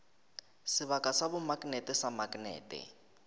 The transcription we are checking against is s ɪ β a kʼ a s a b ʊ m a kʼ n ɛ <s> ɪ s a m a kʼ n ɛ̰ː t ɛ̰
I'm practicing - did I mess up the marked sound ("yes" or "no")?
yes